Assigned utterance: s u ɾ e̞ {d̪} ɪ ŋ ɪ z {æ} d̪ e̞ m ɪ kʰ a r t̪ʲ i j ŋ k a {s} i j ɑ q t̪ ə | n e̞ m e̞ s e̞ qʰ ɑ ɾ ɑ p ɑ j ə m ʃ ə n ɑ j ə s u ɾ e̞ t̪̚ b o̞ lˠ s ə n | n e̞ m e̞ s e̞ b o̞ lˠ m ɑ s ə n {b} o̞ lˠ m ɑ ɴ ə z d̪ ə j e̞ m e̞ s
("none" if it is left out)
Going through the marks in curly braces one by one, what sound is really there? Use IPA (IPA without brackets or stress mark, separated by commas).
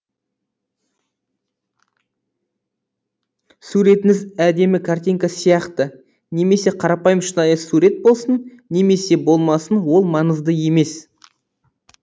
t̪, æ, s, w